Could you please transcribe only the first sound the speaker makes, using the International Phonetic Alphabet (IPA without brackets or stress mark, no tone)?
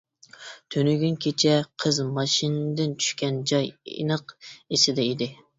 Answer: t̪ʰ